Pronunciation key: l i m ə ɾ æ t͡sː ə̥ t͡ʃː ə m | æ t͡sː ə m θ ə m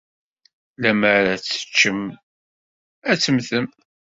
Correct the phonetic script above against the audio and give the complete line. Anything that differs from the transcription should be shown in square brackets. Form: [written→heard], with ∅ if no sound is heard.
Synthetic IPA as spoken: l [i→æ] m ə ɾ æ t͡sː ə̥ t͡ʃː ə m | æ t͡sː ə m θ ə m